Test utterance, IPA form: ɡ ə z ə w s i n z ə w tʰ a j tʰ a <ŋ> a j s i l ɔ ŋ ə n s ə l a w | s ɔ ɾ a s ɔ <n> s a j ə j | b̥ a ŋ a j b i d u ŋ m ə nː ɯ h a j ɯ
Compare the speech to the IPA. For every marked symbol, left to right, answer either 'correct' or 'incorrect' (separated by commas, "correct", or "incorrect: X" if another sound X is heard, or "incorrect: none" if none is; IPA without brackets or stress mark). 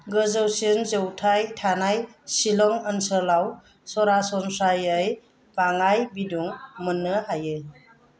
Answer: incorrect: n, correct